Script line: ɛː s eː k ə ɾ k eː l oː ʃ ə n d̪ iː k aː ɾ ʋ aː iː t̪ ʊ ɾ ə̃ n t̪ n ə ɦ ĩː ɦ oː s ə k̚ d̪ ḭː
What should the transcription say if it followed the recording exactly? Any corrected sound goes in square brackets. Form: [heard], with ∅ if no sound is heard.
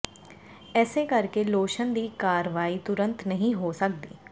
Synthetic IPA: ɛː s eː k ə ɾ k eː l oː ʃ ə n d̪ iː k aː ɾ ʋ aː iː t̪ ʊ ɾ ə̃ n t̪ n ə ɦ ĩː ɦ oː s ə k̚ d̪ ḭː